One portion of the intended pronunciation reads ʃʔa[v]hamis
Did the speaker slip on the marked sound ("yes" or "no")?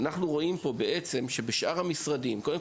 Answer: yes